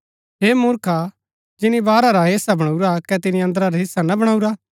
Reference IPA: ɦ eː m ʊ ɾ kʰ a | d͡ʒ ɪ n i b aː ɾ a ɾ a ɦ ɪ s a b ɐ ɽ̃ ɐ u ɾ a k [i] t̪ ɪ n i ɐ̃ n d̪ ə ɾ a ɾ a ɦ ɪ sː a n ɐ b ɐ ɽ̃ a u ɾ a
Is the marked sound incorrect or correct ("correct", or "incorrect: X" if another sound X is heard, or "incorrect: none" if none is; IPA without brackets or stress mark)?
incorrect: ɛ